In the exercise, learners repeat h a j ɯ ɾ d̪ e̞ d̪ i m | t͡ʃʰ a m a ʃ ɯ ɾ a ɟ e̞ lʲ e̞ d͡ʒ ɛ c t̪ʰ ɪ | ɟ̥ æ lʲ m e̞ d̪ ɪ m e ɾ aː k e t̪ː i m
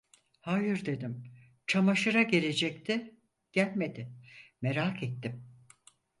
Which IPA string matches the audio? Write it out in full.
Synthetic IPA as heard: h a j ɯ ɾ d̪ e̞ d̪ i m | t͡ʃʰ a m a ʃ ɯ ɾ a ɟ e̞ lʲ e̞ d͡ʒ ɛ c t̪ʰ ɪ | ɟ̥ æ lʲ m e̞ d̪ ɪ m e ɾ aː k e t̪ː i m